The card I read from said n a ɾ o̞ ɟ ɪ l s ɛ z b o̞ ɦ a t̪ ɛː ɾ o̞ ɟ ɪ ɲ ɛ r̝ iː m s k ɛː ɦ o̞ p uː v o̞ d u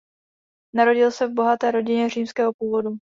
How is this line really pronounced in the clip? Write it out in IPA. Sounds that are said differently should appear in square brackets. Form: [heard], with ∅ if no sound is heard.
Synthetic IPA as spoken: n a ɾ o̞ ɟ ɪ l s ɛ [v] b o̞ ɦ a t̪ ɛː ɾ o̞ ɟ ɪ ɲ ɛ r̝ iː m s k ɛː ɦ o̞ p uː v o̞ d u